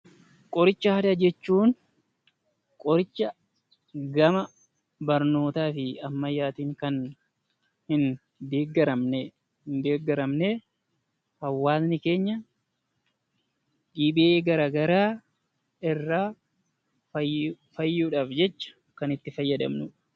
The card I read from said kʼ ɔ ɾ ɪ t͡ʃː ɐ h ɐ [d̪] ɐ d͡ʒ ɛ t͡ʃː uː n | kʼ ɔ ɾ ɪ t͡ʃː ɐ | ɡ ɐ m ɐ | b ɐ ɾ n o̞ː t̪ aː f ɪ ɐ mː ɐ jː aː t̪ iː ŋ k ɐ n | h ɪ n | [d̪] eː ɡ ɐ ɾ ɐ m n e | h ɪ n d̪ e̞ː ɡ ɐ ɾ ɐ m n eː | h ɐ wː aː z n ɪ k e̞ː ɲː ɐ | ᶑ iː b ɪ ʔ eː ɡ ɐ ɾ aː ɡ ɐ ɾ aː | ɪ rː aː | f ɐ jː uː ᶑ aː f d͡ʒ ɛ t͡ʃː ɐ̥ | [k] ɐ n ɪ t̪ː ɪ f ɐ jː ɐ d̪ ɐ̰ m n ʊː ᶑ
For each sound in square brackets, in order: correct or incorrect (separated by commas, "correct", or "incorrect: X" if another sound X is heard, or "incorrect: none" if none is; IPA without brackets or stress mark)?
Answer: correct, correct, correct